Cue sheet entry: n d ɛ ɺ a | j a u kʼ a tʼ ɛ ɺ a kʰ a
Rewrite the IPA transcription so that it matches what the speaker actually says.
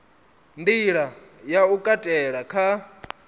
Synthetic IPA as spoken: n d i ɺ a | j a u kʼ a tʼ ɛ ɺ a kʰ a